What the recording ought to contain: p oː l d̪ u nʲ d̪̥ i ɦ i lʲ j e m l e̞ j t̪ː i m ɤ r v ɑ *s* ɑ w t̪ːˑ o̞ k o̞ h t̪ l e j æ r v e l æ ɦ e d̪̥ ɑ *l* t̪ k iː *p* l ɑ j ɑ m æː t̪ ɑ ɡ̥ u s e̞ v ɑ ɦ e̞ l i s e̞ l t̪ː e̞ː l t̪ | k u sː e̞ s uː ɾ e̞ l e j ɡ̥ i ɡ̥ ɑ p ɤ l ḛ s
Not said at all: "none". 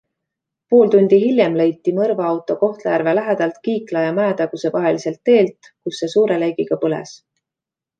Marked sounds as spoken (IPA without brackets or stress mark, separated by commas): none, l, k